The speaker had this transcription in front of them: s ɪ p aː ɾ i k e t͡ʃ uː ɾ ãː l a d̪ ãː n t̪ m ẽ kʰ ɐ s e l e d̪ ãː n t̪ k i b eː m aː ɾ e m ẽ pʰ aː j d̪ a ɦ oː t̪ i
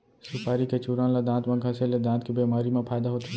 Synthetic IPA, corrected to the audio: s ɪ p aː ɾ i k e t͡ʃ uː ɾ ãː l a d̪ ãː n t̪ m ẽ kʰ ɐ s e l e d̪ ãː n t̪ k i b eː m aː ɾ i m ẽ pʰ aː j d̪ a ɦ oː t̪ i